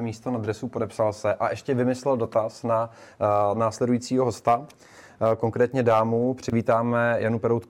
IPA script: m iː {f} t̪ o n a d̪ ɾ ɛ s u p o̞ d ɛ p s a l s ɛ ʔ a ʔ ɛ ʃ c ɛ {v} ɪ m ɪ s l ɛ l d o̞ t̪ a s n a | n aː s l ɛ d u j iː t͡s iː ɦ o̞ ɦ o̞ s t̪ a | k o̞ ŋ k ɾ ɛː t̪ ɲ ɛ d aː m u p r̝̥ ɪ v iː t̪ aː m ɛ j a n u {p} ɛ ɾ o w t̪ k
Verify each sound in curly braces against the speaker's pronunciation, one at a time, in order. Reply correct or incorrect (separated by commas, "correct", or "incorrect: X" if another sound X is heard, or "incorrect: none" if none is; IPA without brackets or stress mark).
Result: incorrect: s, correct, correct